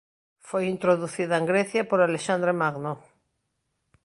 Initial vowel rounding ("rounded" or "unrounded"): rounded